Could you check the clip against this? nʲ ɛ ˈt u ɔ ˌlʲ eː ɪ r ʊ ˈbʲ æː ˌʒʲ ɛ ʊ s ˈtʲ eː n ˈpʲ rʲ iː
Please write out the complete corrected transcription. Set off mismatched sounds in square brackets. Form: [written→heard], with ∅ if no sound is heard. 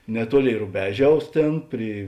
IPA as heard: nʲ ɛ ˈt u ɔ ˌlʲ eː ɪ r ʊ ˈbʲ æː ˌʒʲ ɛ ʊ s ˈtʲ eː n ˈpʲ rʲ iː